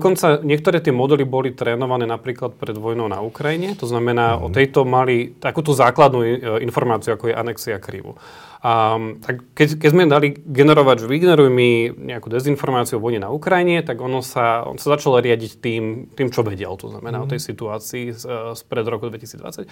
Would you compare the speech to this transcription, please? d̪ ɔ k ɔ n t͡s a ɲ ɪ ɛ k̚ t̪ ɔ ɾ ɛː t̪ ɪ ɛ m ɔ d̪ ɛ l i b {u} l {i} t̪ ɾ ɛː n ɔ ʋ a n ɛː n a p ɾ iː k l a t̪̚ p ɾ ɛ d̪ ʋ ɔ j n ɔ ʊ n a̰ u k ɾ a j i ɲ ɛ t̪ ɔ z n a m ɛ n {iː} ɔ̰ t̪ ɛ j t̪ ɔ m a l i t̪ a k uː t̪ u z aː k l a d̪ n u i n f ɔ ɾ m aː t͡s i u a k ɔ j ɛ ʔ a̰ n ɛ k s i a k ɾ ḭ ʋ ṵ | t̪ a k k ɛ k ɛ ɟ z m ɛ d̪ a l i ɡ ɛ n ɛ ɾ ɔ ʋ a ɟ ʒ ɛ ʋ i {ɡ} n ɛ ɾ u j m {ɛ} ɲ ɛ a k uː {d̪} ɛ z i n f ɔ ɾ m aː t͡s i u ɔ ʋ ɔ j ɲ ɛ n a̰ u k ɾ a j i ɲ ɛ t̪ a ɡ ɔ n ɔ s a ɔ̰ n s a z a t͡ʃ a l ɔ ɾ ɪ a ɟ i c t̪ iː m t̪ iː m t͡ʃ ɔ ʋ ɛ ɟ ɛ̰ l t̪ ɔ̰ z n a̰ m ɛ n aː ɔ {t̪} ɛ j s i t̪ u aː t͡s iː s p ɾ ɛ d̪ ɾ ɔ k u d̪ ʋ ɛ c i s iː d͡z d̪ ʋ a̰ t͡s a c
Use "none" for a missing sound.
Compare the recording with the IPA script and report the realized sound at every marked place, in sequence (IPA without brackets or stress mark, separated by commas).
ɔ, i, aː, ɡ, i, d̪, t̪